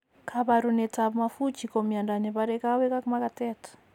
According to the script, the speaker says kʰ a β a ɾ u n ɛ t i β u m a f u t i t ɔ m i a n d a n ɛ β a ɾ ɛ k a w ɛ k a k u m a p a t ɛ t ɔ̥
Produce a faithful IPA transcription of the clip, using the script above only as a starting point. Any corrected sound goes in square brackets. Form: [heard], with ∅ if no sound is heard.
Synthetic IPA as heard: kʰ a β a ɾ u n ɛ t [a] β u m a f u [t͡ʃ] i [k] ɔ m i a n d a n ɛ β a ɾ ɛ k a w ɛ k a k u m a [k] a t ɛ t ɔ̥